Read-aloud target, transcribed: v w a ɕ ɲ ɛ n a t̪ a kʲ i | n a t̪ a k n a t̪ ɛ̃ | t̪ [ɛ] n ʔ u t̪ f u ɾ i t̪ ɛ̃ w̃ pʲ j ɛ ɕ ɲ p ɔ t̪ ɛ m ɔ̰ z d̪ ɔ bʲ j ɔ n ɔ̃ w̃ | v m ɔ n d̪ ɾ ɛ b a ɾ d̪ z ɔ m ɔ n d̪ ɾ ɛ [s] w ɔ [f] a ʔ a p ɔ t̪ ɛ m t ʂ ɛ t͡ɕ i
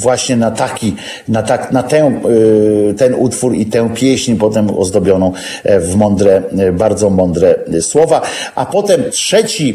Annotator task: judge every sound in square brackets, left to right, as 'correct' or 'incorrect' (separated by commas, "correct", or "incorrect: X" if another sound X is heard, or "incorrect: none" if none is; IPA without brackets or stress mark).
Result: correct, correct, incorrect: v